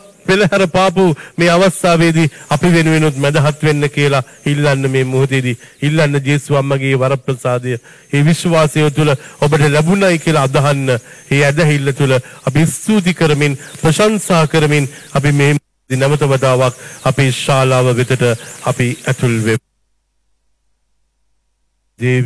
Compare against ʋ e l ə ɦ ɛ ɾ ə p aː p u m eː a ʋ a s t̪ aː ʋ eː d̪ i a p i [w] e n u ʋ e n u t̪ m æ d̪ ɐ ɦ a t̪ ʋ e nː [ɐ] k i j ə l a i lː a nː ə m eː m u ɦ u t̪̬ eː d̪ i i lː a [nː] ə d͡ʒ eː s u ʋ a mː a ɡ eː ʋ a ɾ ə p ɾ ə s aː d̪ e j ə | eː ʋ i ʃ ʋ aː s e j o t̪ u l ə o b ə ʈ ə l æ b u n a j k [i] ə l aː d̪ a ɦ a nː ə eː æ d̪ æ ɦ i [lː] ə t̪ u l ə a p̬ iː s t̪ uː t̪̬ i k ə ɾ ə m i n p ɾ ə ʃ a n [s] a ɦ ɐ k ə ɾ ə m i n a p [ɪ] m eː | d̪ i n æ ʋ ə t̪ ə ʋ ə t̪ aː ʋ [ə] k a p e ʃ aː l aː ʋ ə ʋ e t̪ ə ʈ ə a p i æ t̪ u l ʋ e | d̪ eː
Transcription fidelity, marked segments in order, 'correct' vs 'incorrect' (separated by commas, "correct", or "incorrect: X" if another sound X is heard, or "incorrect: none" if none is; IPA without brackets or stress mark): incorrect: ʋ, incorrect: ə, correct, correct, correct, correct, incorrect: i, incorrect: a